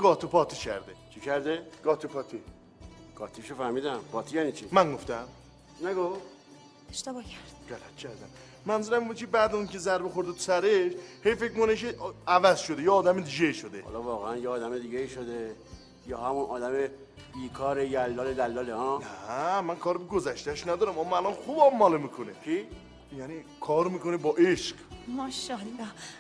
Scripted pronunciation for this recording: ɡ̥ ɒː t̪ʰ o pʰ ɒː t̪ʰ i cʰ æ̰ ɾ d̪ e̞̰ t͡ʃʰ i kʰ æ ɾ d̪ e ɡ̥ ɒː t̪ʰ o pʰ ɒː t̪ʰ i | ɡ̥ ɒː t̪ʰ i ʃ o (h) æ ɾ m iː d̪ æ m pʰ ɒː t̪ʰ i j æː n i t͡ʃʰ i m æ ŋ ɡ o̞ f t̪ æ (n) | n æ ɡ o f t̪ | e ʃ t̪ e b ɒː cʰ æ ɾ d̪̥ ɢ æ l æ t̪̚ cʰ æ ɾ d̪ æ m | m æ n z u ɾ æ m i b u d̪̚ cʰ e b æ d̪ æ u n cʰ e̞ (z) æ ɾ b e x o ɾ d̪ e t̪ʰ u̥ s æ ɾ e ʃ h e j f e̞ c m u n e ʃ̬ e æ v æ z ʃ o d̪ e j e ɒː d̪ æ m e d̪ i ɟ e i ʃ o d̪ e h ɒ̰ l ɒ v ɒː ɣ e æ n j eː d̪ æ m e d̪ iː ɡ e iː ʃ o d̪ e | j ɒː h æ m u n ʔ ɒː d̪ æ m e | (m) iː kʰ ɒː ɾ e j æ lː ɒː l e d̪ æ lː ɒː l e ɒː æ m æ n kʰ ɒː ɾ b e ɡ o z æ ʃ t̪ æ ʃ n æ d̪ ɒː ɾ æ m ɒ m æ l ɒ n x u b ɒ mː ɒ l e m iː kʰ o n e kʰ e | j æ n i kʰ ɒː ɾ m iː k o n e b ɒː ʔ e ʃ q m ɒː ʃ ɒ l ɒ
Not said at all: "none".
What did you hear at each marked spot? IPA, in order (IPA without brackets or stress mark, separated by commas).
f, m, z, b